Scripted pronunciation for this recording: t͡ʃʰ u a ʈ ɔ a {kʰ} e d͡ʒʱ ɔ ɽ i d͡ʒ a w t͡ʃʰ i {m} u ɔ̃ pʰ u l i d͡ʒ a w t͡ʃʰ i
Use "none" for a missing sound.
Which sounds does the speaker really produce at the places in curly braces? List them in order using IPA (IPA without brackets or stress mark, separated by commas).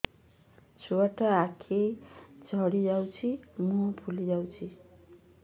kʰ, m